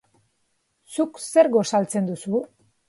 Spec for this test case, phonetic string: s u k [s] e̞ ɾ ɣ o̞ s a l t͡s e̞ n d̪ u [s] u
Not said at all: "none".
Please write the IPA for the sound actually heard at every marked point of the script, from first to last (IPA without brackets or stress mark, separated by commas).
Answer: s, s